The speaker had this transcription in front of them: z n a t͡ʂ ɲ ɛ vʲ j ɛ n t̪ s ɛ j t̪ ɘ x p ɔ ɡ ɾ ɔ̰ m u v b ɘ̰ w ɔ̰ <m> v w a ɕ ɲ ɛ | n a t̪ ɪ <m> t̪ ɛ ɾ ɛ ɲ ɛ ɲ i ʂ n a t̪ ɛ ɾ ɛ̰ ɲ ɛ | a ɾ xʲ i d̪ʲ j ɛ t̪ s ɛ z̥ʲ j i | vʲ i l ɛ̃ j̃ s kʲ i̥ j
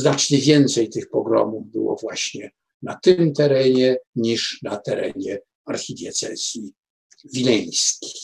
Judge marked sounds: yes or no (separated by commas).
no, yes